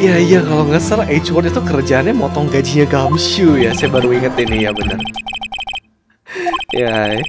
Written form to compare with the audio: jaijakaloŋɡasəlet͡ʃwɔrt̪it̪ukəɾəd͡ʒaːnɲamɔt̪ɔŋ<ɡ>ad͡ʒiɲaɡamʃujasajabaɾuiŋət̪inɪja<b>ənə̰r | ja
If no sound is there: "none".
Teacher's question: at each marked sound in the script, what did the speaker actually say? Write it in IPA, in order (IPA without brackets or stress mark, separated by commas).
ɡ, b